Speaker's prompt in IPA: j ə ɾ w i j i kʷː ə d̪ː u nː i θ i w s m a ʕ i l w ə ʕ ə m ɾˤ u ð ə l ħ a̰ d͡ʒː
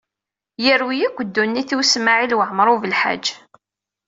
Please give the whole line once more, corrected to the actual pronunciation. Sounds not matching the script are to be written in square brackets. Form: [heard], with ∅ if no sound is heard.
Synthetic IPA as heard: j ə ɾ w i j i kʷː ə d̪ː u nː i θ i w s m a ʕ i l w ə ʕ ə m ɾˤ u [v] ə l ħ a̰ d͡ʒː